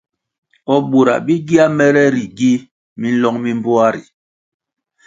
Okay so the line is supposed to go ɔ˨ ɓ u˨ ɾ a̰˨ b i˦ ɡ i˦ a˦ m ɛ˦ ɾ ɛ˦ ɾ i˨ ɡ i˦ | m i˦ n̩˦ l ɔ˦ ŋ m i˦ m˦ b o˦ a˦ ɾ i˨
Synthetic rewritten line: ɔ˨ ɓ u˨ ɾ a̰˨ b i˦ ɡ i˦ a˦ m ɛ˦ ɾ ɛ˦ ɾ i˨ ɡ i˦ | m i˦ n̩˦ l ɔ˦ ŋ m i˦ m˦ b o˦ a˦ ɾ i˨